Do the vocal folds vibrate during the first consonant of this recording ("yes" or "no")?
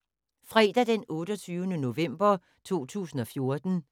no